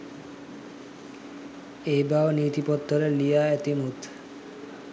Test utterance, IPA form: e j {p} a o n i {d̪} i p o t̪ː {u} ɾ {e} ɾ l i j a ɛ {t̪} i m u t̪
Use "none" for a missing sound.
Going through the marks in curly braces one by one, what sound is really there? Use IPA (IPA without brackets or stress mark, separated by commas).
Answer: b, t̪, o, e, t̪